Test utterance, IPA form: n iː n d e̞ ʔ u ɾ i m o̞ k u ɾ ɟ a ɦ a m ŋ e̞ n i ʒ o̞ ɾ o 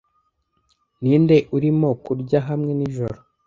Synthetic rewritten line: n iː n d e̞ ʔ u ɾ i m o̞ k u ɾ ɟ a ɦ a m ŋ e̞ n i ʒ o̞ ɾ o